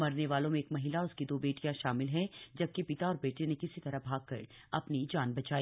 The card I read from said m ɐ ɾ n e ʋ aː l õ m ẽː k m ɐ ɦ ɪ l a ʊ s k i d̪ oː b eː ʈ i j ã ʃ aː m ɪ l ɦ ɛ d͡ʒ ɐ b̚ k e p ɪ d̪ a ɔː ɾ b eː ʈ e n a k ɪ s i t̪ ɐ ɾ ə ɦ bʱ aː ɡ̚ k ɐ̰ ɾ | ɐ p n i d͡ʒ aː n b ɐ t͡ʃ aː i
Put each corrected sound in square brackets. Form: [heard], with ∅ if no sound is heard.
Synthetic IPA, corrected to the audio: m ɐ ɾ n e ʋ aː l õ m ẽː k m ɐ ɦ ɪ l a ʊ s k i d̪ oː b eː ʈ i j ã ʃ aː m ɪ l ɦ ɛ d͡ʒ ɐ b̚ k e p ɪ [t̪] a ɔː ɾ b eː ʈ e n [e] k ɪ s i t̪ ɐ ɾ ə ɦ bʱ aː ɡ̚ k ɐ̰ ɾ | ɐ p n i d͡ʒ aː n b ɐ t͡ʃ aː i

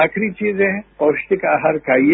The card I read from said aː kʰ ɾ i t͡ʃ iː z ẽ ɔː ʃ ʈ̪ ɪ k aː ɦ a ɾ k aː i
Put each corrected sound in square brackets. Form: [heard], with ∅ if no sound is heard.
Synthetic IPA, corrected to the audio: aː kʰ ɾ i t͡ʃ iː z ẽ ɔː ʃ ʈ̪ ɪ k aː ɦ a ɾ k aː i

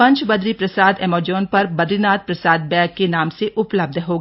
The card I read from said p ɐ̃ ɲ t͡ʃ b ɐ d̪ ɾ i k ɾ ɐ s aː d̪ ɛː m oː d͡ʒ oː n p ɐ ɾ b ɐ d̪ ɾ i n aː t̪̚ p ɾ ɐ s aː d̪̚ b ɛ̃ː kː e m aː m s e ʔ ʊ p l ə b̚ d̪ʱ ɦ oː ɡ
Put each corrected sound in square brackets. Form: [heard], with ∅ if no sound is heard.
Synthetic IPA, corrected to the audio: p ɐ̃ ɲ t͡ʃ b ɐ d̪ ɾ i [p] ɾ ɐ s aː d̪ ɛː m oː d͡ʒ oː n p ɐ ɾ b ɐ d̪ ɾ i n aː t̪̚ p ɾ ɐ s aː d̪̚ b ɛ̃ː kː e [n] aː m s e ʔ ʊ p l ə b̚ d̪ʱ ɦ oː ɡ

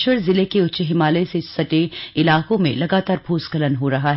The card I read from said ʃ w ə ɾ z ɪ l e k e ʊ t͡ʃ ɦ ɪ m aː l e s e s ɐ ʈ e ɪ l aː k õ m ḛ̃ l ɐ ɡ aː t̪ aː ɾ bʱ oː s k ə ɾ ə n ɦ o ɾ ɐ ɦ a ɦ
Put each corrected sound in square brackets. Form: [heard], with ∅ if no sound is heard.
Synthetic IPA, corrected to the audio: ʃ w ə ɾ z ɪ l e k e ʊ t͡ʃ ɦ ɪ m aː l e s e s ɐ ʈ e ɪ l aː k õ m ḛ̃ l ɐ ɡ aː t̪ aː ɾ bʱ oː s k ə [l] ə n ɦ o ɾ ɐ ɦ a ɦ

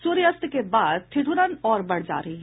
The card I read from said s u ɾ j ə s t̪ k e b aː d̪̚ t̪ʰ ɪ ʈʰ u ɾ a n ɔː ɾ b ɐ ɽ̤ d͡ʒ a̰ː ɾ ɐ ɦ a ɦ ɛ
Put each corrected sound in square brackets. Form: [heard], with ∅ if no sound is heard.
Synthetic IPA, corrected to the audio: s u ɾ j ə s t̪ k e b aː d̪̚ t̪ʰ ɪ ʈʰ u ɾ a n ɔː ɾ b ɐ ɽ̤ d͡ʒ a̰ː ɾ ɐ ɦ [i] ɦ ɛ

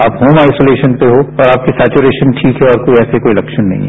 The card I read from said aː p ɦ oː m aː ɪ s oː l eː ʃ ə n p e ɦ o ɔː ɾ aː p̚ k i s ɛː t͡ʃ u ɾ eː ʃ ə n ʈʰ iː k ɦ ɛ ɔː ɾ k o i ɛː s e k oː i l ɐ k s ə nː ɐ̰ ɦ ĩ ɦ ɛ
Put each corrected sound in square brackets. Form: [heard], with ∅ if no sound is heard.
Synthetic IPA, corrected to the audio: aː p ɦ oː m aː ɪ s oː l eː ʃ ə n p e ɦ o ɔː ɾ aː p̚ k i s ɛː t͡ʃ u ɾ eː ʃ ə n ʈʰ iː k ɦ ɛ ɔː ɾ k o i ɛː s e k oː i l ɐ k [ʃ] ə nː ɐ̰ ɦ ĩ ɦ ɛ

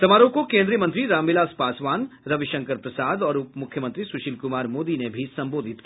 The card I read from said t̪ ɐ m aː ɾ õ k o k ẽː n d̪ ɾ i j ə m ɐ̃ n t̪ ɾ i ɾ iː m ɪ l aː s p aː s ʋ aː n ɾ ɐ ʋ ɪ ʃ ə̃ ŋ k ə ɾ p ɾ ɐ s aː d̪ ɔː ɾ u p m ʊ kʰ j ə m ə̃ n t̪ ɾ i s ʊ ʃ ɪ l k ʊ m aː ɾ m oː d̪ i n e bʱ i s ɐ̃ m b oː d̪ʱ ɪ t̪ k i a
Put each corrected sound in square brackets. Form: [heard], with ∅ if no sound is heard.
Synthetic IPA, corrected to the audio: t̪ ɐ m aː ɾ õ k o k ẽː n d̪ ɾ i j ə m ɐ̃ n t̪ ɾ i ɾ [aː] m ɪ l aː s p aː s ʋ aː n ɾ ɐ ʋ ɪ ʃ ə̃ ŋ k ə ɾ p ɾ ɐ s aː d̪ ɔː ɾ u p m ʊ kʰ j ə m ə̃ n t̪ ɾ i s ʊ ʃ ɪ l k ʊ m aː ɾ m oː d̪ i n e bʱ i s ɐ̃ m b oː d̪ʱ ɪ t̪ k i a

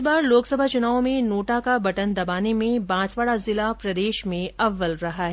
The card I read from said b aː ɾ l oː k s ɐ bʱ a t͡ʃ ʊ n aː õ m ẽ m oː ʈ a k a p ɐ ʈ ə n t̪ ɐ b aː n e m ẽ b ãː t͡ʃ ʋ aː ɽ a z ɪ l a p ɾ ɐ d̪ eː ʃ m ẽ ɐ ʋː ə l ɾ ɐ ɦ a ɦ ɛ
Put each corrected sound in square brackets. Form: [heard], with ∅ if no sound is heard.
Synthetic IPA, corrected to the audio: b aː ɾ l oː k s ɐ bʱ a t͡ʃ ʊ n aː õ m ẽ [n] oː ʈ a k a [b] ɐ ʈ ə n [d̪] ɐ b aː n e m ẽ b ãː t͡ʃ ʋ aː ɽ a z ɪ l a p ɾ ɐ d̪ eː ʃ m ẽ ɐ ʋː ə l ɾ ɐ ɦ a ɦ ɛ

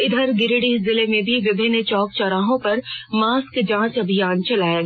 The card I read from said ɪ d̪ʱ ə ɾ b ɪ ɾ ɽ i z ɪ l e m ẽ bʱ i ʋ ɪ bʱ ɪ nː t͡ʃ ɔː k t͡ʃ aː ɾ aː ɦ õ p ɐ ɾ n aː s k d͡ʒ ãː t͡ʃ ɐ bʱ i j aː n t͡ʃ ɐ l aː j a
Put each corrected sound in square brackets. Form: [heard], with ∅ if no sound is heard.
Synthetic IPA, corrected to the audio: ɪ d̪ʱ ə ɾ [ɡ] ɪ ɾ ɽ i z ɪ l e m ẽ bʱ i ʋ ɪ bʱ ɪ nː t͡ʃ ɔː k t͡ʃ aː ɾ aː ɦ õ p ɐ ɾ [m] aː s k d͡ʒ ãː t͡ʃ ɐ bʱ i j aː n t͡ʃ ɐ l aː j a

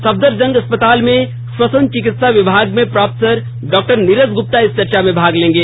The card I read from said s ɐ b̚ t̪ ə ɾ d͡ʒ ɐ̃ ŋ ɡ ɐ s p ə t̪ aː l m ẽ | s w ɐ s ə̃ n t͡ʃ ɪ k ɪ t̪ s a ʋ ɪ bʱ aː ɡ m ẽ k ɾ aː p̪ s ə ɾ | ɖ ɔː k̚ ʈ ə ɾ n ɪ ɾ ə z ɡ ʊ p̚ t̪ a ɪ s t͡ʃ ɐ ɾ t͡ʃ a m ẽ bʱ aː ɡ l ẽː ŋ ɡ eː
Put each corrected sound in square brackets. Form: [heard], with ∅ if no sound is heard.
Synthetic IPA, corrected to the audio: s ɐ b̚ [d̪] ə ɾ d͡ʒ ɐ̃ ŋ ɡ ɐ s p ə t̪ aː l m ẽ | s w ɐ s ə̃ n t͡ʃ ɪ k ɪ t̪ s a ʋ ɪ bʱ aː ɡ m ẽ [p] ɾ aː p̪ s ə ɾ | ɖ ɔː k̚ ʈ ə ɾ n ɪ ɾ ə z ɡ ʊ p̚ t̪ a ɪ s t͡ʃ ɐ ɾ t͡ʃ a m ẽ bʱ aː ɡ l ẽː ŋ ɡ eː

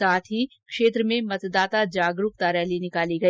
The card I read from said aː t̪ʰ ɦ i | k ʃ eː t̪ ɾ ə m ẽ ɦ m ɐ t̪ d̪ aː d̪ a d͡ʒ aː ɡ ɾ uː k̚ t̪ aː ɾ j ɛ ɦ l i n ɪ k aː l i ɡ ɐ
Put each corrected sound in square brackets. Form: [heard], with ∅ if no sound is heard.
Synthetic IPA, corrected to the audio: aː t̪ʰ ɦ i | k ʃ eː t̪ ɾ ə m ẽ [∅] m ɐ t̪ d̪ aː [t̪] a d͡ʒ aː ɡ ɾ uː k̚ t̪ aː ɾ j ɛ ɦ l i n ɪ k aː l i ɡ ɐ

